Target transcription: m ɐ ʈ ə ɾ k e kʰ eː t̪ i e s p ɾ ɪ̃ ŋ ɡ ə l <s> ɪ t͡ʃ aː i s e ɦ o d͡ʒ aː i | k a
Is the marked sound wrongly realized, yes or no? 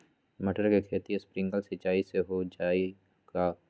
no